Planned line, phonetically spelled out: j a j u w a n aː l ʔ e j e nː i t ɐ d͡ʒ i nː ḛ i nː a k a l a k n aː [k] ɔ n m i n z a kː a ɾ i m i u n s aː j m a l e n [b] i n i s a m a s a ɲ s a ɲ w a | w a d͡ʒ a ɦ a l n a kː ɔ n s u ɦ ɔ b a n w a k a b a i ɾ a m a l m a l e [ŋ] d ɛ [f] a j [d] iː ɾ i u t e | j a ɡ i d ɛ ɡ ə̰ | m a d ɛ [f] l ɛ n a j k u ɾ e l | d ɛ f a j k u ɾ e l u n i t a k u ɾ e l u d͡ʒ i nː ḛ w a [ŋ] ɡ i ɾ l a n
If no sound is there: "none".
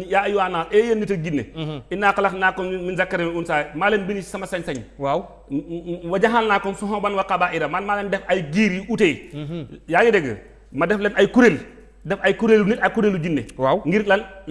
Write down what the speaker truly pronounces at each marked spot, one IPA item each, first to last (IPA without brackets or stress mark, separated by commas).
k, b, n, f, ɡ, f, ŋ